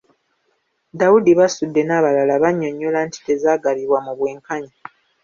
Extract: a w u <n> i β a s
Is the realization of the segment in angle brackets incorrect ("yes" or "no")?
yes